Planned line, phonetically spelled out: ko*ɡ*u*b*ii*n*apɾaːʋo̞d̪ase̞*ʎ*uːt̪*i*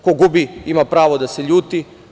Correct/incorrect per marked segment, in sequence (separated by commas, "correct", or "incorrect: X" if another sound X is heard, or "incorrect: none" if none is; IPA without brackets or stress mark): correct, correct, incorrect: m, correct, correct